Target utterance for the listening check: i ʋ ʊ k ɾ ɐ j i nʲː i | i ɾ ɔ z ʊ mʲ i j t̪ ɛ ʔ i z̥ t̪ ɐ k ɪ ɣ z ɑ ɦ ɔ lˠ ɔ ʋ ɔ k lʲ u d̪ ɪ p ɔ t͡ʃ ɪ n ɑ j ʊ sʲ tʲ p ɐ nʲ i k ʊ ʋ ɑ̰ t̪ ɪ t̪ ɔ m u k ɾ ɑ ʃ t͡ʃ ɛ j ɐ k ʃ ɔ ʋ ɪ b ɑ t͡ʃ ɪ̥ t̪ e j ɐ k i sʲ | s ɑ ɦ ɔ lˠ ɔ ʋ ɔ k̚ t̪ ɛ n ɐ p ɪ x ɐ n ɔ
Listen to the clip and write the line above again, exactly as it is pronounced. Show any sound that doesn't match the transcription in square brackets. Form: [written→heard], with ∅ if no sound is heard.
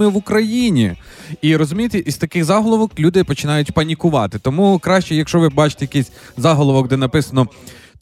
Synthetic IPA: [i→ɪ] ʋ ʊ k ɾ ɐ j i [nʲː→nʲ] i | i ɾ ɔ z ʊ mʲ i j t̪ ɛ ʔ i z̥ t̪ ɐ k ɪ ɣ z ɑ ɦ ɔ lˠ ɔ ʋ ɔ k lʲ u d̪ ɪ p ɔ t͡ʃ ɪ n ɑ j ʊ [sʲ→∅] tʲ p ɐ nʲ i k ʊ ʋ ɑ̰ t̪ ɪ t̪ ɔ m u k ɾ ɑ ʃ t͡ʃ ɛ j ɐ k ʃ ɔ ʋ ɪ b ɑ t͡ʃ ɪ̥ t̪ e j ɐ k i sʲ | [s→z] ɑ ɦ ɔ lˠ ɔ ʋ ɔ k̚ [t̪→d̪] ɛ n ɐ p ɪ [x→s] ɐ n ɔ